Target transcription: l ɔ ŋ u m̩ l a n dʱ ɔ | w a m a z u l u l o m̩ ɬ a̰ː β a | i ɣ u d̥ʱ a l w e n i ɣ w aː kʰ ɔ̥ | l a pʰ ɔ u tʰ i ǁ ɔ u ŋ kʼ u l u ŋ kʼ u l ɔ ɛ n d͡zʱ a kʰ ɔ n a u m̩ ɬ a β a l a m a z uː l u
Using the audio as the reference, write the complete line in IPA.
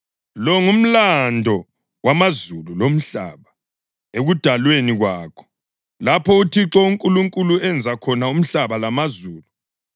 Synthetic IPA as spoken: l ɔ ŋ u m̩ l a n dʱ ɔ | w a m a z u l u l o m̩ ɬ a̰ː β a | e ɣ u d̥ʱ a l w e n i ɣ w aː kʰ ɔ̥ | l a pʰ ɔ u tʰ i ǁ ɔ u ŋ kʼ u l u ŋ kʼ u l u ɛ n d͡zʱ a kʰ ɔ n a u m̩ ɬ a β a l a m a z uː l u